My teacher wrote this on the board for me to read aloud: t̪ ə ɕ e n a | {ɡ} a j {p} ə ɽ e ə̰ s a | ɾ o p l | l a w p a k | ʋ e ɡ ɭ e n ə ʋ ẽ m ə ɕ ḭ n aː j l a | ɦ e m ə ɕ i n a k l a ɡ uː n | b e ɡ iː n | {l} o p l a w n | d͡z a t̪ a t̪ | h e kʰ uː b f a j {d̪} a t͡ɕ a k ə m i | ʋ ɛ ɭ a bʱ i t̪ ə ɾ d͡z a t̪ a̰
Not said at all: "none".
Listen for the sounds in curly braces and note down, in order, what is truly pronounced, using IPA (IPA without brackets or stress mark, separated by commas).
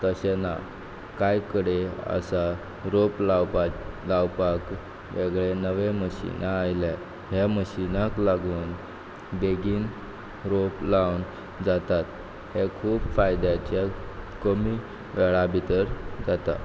k, k, ɾ, d̪